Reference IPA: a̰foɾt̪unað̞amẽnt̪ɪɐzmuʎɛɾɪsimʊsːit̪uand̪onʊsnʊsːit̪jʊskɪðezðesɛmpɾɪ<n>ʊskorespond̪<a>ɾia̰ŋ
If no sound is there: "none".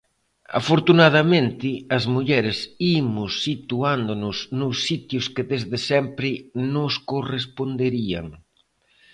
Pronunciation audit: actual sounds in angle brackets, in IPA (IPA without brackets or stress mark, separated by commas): n, e